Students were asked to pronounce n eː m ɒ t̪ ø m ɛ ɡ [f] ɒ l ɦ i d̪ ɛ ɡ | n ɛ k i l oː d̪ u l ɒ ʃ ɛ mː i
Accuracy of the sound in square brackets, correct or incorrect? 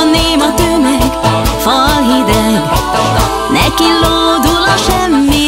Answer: correct